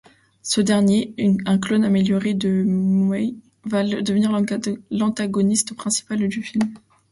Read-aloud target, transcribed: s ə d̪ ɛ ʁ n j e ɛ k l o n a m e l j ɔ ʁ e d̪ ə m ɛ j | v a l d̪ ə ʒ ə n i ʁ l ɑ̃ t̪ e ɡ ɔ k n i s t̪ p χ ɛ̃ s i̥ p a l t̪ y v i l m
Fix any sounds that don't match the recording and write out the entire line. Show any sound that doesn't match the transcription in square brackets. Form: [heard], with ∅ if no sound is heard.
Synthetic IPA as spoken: s ə d̪ ɛ ʁ n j e [ɛ̃] k l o n a m e l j ɔ ʁ e d̪ ə m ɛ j | v a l d̪ ə [v] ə n i ʁ l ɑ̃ t̪ [a] ɡ ɔ [∅] n i s t̪ p χ ɛ̃ s i̥ p a l [d̪] y [f] i l m